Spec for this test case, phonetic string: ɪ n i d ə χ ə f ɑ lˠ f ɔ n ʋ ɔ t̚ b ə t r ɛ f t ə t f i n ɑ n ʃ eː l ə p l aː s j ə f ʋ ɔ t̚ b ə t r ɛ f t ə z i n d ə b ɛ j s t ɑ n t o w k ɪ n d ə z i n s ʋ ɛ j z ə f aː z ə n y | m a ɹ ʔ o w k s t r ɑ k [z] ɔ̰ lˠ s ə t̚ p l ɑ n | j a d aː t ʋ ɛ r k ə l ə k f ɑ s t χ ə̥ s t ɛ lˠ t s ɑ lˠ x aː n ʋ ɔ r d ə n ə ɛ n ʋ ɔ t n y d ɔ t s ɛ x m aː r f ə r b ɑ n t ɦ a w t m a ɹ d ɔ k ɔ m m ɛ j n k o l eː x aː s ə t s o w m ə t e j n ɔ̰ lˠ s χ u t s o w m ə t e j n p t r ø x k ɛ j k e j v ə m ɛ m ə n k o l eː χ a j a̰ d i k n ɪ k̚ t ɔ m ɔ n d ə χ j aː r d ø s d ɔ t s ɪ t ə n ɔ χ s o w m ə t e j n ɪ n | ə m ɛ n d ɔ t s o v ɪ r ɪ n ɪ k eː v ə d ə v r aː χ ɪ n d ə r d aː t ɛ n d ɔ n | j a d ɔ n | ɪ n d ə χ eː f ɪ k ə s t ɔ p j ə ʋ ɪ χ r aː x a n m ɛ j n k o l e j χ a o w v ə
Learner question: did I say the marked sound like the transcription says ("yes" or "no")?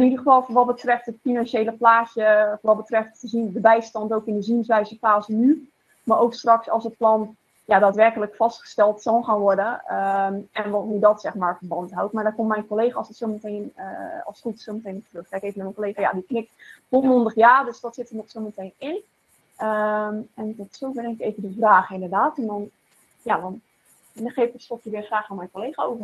no